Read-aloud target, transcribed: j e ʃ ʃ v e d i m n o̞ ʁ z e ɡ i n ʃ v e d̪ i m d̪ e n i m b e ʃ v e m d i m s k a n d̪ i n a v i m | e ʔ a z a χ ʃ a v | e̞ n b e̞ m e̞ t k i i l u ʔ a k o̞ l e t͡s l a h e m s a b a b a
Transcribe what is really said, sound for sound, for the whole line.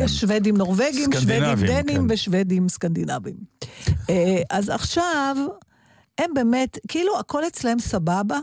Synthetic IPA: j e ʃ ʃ v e d i m n o̞ ʁ v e ɡ i m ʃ v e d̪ i m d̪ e n i m v e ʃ v e d i m s k a n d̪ i n a v i m | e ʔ a z a χ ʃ a v | e̞ m b e̞ m e̞ t k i i l u a k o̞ l e t͡s l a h e m s a b a b a